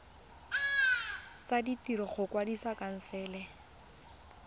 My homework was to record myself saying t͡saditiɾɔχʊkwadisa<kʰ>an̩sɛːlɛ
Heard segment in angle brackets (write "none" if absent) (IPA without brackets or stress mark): k